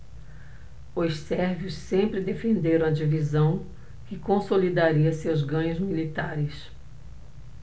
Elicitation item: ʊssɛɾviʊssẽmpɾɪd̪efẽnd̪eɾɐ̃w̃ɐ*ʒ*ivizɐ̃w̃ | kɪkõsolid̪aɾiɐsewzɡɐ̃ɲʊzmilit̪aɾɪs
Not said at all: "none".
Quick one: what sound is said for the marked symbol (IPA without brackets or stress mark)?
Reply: d͡ʒ